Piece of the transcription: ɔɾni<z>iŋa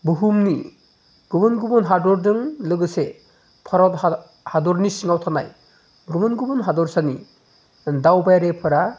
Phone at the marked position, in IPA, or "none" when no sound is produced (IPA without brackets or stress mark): s